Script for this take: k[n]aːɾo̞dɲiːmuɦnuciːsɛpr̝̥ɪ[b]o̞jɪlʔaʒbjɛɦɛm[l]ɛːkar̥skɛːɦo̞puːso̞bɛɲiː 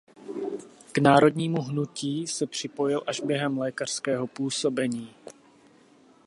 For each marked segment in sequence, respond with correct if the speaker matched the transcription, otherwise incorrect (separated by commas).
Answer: correct, incorrect, correct